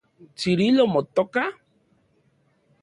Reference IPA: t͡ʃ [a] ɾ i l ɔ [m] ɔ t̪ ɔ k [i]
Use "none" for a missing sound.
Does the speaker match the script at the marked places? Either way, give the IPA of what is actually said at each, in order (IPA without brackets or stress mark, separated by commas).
i, m, a